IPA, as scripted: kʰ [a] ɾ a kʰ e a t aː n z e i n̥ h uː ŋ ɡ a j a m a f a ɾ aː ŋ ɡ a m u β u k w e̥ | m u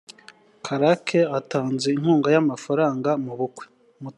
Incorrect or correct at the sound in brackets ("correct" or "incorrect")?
correct